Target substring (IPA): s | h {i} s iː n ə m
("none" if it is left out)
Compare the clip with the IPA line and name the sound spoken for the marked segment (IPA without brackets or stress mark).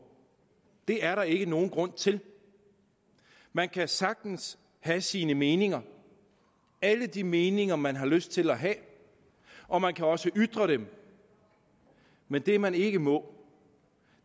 æ